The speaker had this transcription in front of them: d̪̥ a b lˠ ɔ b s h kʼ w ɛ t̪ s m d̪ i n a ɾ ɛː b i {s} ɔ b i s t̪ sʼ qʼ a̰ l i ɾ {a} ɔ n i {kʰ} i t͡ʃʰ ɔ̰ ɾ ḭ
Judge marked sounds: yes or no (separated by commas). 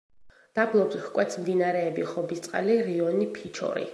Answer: no, no, no